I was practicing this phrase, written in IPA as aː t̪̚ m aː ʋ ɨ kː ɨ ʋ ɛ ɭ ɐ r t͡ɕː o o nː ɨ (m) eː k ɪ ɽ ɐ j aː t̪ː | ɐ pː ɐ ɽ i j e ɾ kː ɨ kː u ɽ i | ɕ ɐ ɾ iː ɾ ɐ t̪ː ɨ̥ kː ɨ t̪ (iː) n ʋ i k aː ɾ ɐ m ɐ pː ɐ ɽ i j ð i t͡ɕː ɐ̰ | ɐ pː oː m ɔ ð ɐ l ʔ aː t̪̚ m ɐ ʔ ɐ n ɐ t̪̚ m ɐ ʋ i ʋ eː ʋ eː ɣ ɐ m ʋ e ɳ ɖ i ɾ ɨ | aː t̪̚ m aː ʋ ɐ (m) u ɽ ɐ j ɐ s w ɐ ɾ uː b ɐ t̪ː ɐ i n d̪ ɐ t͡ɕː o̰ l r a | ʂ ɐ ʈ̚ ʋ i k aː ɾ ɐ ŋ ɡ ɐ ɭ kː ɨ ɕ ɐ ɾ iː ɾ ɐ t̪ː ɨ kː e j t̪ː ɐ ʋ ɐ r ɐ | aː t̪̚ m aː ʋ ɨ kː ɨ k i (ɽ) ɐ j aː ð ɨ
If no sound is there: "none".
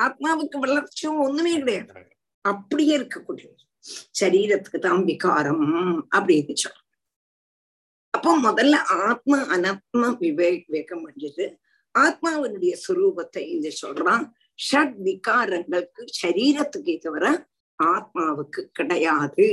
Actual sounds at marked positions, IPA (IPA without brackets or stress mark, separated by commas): m, aː, n, ɽ